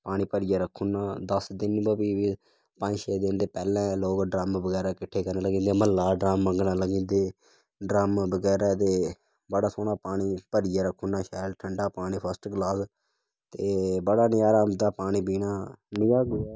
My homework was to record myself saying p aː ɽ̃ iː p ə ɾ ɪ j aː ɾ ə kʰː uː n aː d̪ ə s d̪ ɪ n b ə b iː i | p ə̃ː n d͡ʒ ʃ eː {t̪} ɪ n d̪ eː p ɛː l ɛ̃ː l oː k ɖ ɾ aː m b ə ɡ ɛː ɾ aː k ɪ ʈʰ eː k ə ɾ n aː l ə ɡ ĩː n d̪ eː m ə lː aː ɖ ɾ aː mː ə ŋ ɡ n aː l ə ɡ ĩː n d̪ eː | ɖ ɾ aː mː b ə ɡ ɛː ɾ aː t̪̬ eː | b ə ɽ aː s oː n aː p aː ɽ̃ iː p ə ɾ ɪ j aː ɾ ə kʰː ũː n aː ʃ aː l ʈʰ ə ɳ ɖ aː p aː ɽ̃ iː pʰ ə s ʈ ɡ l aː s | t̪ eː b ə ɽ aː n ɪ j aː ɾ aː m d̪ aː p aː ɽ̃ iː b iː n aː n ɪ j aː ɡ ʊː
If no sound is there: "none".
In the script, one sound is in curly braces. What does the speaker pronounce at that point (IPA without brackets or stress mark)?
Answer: d̪